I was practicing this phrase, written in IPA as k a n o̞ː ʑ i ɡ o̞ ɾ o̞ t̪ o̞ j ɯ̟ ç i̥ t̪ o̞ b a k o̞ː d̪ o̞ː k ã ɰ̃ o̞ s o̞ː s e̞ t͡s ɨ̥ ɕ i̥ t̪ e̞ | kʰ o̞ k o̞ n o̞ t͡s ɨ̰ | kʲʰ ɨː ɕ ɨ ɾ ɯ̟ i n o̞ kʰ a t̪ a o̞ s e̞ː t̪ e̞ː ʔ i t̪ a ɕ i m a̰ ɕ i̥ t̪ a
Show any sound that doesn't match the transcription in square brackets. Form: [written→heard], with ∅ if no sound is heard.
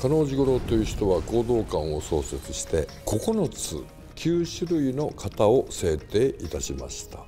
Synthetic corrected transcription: k a n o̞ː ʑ i ɡ o̞ ɾ o̞ t̪ o̞ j ɯ̟ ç i̥ t̪ o̞ [b→β] a k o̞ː d̪ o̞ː k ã ɰ̃ o̞ s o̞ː s e̞ t͡s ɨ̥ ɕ i̥ t̪ e̞ | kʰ o̞ k o̞ n o̞ t͡s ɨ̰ | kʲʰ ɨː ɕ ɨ ɾ ɯ̟ i n o̞ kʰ a t̪ a o̞ s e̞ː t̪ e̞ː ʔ i t̪ a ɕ i m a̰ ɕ i̥ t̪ a